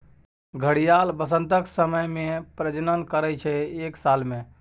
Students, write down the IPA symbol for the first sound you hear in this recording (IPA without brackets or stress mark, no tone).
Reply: ɡʱ